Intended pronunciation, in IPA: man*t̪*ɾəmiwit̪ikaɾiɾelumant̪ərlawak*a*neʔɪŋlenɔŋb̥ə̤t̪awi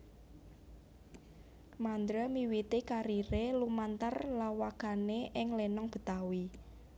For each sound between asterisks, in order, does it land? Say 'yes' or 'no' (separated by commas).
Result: no, yes